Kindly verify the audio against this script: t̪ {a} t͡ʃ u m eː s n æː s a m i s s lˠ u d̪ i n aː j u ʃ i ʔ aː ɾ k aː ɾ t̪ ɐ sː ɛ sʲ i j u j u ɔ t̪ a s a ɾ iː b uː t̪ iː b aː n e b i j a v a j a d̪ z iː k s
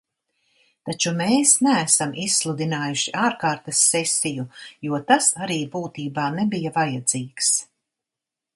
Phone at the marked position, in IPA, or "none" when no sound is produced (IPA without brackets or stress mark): a